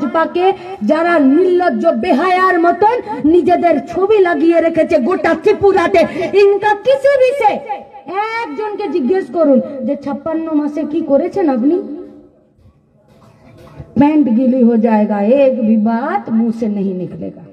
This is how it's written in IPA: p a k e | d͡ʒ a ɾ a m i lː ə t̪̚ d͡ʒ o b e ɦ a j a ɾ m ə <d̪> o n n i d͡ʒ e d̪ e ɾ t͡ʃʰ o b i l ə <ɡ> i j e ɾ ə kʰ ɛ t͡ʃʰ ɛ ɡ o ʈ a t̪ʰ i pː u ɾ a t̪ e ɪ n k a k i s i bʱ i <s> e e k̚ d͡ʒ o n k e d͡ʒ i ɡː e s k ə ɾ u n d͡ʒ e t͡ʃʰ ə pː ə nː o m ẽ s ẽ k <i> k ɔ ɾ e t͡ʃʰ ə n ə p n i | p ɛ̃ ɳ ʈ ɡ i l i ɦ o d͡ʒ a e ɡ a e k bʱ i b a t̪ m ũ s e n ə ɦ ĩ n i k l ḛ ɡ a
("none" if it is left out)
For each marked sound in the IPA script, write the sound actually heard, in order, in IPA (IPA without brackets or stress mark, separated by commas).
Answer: t̪, ɡ, s, i